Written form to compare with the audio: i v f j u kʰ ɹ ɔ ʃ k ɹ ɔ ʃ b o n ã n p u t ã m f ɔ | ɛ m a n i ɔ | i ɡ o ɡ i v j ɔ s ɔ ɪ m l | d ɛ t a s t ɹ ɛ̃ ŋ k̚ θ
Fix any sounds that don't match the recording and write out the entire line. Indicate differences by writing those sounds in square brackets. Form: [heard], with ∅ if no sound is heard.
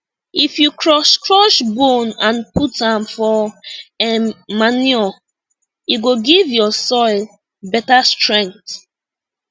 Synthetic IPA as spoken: i [∅] f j u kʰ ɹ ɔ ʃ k ɹ ɔ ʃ b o n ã n p u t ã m f ɔ | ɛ m a n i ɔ | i ɡ o ɡ i v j ɔ s ɔ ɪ [∅] l | [b] ɛ t a s t ɹ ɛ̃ ŋ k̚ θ